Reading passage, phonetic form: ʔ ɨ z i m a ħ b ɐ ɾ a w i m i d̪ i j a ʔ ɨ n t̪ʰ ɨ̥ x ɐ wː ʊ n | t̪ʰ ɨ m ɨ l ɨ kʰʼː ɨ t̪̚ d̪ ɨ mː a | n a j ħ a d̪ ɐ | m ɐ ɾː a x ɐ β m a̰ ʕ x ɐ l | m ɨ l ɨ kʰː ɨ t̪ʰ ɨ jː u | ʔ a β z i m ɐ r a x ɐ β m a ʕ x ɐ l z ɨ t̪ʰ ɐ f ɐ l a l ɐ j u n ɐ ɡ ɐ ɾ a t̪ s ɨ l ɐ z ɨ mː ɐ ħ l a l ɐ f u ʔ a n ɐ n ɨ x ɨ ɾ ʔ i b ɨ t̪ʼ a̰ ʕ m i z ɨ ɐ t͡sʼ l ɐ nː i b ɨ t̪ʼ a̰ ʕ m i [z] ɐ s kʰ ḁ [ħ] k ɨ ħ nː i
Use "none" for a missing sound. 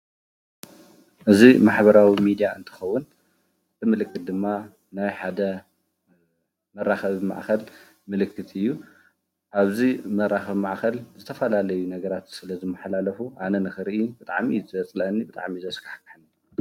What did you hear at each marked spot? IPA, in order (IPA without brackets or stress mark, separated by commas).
z, ħ